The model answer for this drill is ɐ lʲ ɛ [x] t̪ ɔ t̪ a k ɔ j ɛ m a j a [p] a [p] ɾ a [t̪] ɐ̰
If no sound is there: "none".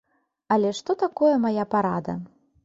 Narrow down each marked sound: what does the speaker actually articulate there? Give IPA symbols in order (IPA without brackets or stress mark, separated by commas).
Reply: ʂ, p, none, d̪